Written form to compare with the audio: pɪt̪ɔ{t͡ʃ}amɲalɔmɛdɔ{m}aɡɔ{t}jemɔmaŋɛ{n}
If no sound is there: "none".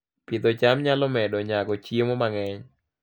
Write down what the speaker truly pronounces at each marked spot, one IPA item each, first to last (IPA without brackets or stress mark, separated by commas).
t͡ʃ, ɲ, t͡ʃ, ɲ